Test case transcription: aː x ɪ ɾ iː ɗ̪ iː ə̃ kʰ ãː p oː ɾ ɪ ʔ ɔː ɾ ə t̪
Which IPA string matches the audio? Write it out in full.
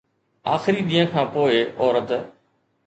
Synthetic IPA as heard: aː x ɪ ɾ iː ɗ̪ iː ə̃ kʰ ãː p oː ɪ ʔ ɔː ɾ ə t̪